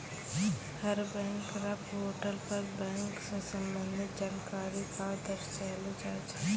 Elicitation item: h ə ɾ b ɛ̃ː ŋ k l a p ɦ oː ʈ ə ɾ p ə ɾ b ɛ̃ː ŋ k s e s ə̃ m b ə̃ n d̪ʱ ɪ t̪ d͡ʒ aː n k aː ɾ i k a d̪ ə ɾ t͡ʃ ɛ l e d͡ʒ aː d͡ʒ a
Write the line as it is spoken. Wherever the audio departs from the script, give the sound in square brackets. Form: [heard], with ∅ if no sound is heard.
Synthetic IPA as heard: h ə ɾ b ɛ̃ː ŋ k [ɾ] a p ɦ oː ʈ ə [l] p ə ɾ b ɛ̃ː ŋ k s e s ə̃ m b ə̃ n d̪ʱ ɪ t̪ d͡ʒ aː n k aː ɾ i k a d̪ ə ɾ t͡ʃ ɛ l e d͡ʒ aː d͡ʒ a